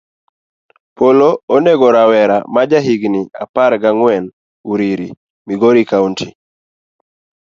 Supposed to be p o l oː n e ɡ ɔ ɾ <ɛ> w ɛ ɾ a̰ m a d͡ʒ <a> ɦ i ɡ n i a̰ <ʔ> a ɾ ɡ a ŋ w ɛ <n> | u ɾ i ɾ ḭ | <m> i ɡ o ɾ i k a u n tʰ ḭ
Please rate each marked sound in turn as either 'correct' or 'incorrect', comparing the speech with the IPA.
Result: incorrect: a, correct, incorrect: p, correct, correct

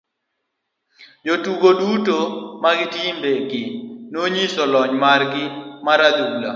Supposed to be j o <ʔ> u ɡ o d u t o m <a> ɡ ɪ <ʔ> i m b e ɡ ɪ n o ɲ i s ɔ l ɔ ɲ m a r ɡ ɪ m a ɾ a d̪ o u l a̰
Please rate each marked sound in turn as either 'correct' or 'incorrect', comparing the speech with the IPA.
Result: incorrect: t, correct, incorrect: t

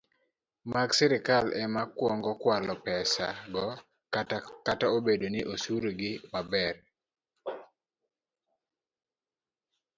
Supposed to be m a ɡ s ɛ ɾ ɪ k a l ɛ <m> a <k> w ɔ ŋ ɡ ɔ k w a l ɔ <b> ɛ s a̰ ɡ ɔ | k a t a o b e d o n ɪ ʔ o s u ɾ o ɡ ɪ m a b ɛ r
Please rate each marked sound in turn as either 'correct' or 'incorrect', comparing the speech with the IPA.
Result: correct, correct, incorrect: p

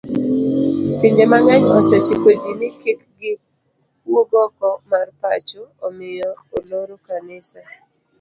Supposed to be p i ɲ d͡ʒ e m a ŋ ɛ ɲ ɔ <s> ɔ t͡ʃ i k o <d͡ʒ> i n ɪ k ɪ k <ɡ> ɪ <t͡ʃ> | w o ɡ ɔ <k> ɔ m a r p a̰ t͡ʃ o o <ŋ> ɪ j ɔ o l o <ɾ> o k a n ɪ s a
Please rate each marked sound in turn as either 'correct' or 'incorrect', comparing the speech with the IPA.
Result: correct, correct, correct, incorrect: none, correct, incorrect: m, correct

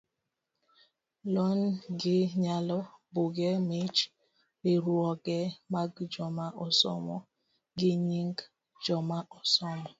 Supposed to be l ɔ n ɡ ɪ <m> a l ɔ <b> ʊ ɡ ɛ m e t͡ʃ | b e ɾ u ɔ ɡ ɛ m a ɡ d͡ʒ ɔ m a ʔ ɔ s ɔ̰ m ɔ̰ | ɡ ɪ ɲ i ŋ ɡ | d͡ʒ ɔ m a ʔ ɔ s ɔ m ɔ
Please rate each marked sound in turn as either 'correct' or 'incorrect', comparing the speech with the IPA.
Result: incorrect: ɲ, correct

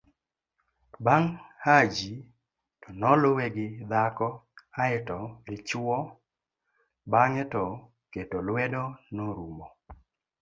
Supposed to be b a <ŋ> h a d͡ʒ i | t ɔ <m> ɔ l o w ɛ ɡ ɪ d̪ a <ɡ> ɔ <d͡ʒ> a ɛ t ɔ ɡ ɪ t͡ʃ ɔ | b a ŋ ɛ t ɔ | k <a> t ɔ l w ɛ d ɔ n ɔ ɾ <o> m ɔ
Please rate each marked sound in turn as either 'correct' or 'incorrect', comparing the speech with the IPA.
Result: correct, incorrect: n, incorrect: k, incorrect: none, incorrect: e, incorrect: u

